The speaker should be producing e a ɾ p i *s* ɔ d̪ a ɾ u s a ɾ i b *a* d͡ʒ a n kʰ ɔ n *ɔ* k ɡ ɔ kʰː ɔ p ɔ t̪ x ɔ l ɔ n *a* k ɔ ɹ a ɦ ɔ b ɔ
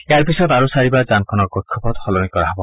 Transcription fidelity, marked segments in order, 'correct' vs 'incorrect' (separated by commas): correct, correct, correct, incorrect